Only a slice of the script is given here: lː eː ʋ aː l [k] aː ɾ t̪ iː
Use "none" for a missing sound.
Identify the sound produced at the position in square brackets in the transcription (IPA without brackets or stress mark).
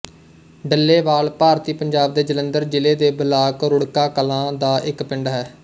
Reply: p